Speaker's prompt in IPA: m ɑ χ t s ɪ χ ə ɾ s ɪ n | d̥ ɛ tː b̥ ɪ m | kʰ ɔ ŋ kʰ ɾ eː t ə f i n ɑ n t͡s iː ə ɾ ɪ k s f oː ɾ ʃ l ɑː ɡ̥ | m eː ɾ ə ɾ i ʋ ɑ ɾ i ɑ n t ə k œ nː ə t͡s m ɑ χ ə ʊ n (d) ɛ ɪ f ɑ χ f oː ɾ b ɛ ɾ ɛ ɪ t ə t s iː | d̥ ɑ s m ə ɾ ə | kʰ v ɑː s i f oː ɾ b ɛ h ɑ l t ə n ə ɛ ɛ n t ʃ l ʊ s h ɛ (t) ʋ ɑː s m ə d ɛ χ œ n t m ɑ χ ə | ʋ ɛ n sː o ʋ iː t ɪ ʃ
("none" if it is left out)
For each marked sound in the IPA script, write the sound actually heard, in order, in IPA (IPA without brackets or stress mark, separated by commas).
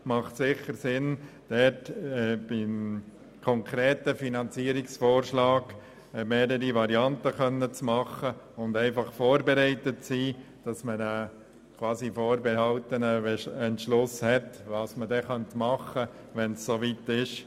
d, t